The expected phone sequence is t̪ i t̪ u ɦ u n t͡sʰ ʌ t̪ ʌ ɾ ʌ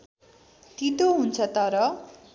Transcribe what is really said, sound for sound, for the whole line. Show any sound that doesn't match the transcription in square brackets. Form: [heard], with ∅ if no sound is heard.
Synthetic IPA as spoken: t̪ i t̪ [o] ɦ u n t͡sʰ ʌ t̪ ʌ ɾ ʌ